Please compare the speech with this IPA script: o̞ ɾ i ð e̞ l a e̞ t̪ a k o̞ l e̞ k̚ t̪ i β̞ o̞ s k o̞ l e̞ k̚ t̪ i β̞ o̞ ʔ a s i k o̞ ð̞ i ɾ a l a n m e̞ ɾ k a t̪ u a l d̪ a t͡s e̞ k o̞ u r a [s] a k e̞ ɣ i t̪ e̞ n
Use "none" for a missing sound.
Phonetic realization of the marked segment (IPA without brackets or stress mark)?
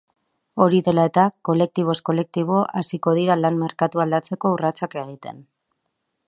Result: t͡s